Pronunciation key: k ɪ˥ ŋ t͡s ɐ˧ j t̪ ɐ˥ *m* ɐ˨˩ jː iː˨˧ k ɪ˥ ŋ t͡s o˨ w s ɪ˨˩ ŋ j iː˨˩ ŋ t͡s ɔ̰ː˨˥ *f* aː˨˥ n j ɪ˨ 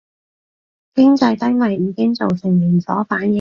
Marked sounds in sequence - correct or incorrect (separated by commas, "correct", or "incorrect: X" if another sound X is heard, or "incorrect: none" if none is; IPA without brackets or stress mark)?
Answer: correct, correct